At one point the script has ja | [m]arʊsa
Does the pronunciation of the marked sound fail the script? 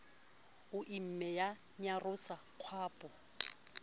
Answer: yes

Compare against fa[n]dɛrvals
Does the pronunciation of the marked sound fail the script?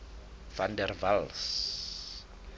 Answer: no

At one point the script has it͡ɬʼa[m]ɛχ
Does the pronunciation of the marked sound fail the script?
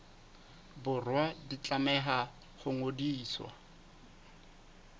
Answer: no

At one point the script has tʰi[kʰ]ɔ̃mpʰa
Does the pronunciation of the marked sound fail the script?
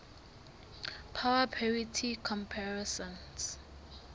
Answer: no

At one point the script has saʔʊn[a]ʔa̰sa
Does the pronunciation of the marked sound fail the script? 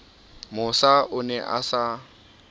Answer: yes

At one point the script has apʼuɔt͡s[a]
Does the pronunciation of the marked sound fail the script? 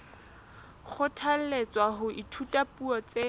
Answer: yes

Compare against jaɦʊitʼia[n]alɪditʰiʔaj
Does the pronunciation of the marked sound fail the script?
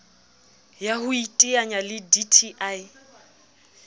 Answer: yes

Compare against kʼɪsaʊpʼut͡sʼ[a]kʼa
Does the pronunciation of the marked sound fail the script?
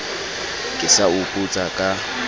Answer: no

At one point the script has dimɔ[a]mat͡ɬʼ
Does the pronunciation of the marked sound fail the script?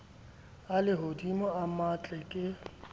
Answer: no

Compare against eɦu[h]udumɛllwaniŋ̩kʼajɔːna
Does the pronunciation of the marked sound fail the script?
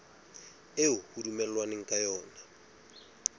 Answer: no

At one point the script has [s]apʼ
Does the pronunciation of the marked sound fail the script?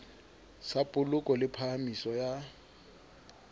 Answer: no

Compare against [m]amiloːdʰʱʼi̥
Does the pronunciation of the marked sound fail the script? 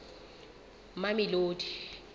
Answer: no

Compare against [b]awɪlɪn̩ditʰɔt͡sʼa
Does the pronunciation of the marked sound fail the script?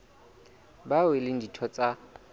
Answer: no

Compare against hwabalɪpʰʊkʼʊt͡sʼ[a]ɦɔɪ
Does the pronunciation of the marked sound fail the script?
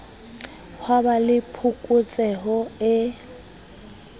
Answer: yes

